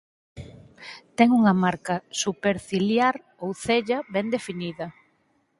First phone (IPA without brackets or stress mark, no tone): t̪